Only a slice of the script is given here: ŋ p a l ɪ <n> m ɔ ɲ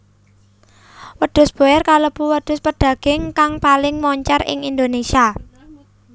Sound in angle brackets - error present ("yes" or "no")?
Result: yes